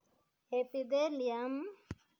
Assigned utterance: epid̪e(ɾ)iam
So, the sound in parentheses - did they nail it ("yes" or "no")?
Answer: no